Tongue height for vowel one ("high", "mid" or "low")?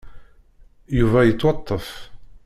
high